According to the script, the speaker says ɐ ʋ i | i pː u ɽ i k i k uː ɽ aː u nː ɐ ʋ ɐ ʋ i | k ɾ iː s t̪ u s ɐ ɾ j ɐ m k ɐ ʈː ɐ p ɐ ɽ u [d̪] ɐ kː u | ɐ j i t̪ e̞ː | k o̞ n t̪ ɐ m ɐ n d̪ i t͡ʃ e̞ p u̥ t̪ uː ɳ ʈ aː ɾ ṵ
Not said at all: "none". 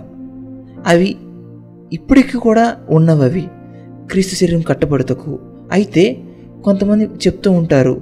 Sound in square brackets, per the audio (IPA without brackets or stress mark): t̪